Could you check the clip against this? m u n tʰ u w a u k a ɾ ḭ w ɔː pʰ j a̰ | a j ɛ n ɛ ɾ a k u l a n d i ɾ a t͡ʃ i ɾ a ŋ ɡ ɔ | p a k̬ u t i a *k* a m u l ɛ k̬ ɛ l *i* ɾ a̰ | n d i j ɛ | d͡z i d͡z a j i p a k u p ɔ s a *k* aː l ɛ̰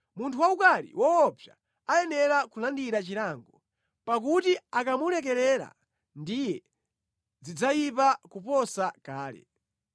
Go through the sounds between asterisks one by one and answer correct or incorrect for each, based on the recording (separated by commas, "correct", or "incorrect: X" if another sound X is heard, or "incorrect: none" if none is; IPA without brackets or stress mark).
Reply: correct, incorrect: ɛ, correct